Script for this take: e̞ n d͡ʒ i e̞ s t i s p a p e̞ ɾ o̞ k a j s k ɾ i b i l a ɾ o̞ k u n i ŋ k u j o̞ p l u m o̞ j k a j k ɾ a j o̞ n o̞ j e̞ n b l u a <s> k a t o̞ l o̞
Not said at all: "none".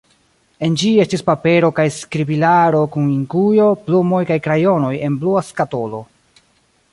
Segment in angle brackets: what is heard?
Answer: s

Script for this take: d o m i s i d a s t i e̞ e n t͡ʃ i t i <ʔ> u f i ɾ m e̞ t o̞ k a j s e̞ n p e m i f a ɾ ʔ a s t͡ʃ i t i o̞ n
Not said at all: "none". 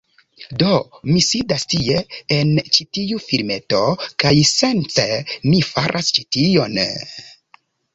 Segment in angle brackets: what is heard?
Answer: none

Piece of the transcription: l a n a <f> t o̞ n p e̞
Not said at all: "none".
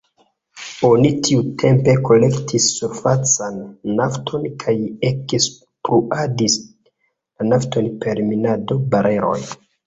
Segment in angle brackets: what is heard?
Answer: f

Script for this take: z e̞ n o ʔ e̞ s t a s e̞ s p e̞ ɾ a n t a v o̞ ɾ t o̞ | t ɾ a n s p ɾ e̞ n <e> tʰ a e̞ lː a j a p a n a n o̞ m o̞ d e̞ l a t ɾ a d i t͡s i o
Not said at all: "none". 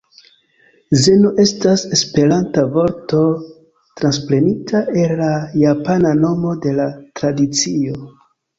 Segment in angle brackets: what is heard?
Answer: i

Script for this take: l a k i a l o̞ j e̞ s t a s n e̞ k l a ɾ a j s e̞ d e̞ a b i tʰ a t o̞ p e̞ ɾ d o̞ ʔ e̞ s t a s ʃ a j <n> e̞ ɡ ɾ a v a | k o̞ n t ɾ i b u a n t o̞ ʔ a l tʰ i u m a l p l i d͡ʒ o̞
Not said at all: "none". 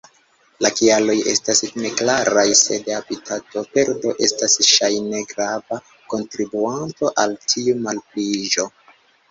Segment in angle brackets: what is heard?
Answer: n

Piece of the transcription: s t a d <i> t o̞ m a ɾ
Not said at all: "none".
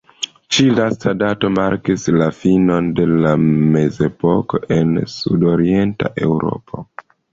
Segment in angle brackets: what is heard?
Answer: a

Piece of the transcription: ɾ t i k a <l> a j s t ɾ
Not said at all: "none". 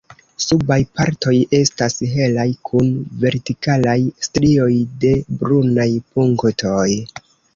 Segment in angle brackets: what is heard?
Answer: l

